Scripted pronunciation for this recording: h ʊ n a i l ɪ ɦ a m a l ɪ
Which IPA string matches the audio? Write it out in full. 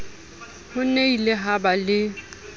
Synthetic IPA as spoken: h ʊ n e i l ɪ ɦ a b a l ɪ